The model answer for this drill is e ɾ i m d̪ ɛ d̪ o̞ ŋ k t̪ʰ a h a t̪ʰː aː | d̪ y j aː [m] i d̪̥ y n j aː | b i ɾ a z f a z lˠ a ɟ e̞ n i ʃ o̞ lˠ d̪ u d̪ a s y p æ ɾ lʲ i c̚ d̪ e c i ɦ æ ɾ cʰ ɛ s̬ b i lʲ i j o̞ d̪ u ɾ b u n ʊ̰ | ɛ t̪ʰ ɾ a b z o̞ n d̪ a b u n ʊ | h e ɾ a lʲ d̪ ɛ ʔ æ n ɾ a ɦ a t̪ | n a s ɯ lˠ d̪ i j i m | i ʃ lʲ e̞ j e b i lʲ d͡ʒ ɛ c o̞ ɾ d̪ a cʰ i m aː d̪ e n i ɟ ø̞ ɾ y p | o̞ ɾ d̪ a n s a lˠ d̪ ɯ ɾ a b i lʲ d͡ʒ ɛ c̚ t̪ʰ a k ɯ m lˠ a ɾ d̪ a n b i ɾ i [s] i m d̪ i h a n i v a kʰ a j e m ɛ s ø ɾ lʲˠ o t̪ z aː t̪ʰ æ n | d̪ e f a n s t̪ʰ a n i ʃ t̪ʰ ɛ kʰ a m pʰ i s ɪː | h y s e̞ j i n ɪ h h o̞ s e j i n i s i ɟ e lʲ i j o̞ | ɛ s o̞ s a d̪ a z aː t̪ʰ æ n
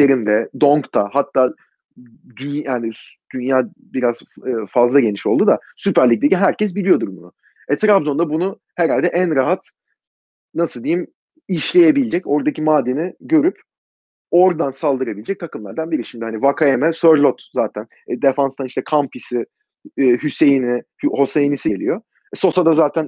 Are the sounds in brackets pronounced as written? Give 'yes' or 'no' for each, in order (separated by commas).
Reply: no, no